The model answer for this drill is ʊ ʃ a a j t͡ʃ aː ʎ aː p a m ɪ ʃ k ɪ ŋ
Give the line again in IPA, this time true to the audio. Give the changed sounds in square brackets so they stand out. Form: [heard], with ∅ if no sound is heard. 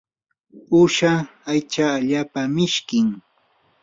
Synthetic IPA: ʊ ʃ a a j t͡ʃ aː ʎ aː p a m ɪ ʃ k ɪ ŋ